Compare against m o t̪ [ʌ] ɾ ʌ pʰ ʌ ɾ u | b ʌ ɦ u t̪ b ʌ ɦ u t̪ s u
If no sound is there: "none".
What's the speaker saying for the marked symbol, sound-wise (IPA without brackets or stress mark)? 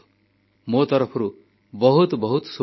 ʌ